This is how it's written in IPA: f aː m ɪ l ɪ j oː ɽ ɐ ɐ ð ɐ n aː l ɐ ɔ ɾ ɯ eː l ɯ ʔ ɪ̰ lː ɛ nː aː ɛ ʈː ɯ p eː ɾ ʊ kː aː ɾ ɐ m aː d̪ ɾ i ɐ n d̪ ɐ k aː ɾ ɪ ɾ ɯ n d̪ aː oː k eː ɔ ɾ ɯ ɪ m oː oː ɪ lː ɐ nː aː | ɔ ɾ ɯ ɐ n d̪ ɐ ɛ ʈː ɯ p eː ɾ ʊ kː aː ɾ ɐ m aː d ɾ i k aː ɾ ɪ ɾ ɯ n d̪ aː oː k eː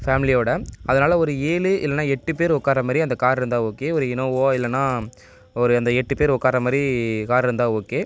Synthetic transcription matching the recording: f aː m ɪ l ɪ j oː ɽ ɐ ɐ ð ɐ n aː l ɐ ɔ ɾ ɯ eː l ɯ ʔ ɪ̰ lː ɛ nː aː ɛ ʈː ɯ p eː ɾ ʊ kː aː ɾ ɐ m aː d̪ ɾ i ɐ n d̪ ɐ k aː ɾ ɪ ɾ ɯ n d̪ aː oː k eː ɔ ɾ ɯ ɪ n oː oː ɪ lː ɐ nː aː | ɔ ɾ ɯ ɐ n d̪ ɐ ɛ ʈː ɯ p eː ɾ ʊ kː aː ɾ ɐ m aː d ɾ i k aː ɾ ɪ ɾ ɯ n d̪ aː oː k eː